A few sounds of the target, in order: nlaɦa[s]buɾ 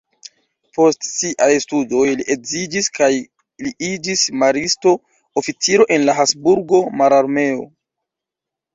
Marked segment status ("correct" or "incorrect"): correct